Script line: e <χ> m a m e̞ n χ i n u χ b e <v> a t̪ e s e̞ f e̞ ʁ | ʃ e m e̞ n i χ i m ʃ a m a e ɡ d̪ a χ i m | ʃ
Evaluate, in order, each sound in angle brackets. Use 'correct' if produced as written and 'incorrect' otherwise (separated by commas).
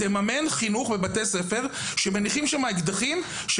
incorrect, incorrect